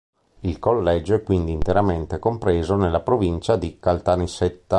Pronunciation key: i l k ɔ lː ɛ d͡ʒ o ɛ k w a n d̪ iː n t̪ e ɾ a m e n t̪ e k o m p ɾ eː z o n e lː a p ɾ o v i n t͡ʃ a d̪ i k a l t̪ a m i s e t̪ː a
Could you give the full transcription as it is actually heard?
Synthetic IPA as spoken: i l k o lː ɛ d͡ʒ o ɛ k w i n d̪ iː n t̪ e ɾ a m e n t̪ e k o m p ɾ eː z o n e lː a p ɾ o v i n t͡ʃ a d̪ i k a l t̪ a n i s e t̪ː a

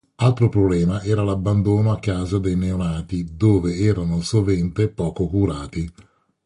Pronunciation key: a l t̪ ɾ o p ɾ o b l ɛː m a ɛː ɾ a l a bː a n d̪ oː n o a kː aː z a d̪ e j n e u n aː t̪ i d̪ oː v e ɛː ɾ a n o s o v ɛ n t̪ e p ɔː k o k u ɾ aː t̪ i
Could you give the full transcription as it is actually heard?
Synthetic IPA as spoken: a l t̪ ɾ o p ɾ o b l ɛː m a ɛː ɾ a l a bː a n d̪ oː n o a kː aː z a d̪ e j n e o n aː t̪ i d̪ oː v e ɛː ɾ a n o s o v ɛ n t̪ e p ɔː k o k u ɾ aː t̪ i

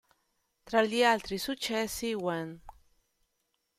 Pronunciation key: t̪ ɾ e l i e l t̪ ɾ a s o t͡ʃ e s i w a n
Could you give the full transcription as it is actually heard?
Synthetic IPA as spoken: t̪ ɾ a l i a l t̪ ɾ i s u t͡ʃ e s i w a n

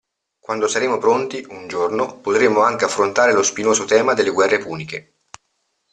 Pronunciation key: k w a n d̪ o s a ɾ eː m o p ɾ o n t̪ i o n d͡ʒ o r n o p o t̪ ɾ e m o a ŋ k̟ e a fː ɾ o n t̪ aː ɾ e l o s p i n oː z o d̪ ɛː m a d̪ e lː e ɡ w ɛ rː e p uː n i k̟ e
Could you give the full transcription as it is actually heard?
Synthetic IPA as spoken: k w a n d̪ o s a ɾ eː m o p ɾ o n t̪ i u n d͡ʒ o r n o p o t̪ ɾ e m o a ŋ k̟ e a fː ɾ o n t̪ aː ɾ e l o s p i n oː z o t̪ ɛː m a d̪ e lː e ɡ w ɛ rː e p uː n i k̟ e

